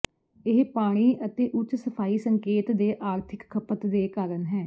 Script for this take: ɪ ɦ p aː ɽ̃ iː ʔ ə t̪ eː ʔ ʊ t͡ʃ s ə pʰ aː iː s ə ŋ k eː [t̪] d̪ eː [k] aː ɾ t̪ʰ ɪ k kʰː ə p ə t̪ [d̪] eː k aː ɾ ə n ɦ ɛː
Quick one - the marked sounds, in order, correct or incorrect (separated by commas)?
correct, incorrect, correct